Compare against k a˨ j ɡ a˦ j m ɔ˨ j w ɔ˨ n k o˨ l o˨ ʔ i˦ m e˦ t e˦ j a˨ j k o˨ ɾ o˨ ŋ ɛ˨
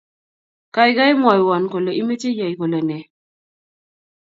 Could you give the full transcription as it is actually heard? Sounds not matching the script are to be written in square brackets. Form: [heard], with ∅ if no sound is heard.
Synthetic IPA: k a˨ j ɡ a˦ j m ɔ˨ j w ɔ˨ n k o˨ l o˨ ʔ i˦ m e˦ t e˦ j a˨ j k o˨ [l] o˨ [n] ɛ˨